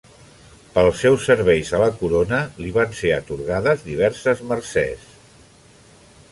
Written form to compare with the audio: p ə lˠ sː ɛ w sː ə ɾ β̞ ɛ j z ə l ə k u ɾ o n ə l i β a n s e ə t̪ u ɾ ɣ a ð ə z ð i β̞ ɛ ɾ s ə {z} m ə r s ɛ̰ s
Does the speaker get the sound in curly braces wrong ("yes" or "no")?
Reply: no